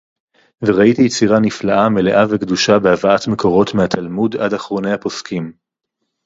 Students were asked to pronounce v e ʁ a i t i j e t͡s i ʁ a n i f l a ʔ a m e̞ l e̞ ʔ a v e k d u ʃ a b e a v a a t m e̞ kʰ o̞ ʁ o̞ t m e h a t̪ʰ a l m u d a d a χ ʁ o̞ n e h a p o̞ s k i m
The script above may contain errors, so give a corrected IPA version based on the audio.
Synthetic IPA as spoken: v e ʁ a i t i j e t͡s i ʁ a n i f l a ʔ a m e̞ l e̞ ʔ a v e k d u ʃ a b e a v a a t m e̞ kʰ o̞ ʁ o̞ t m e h a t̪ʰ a l m u d a d a χ ʁ o̞ n e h a p o̞ s k i m